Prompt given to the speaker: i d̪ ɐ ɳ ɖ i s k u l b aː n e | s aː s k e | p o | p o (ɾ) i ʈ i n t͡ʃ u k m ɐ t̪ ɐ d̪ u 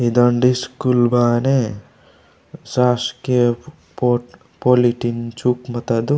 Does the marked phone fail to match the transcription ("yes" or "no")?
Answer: yes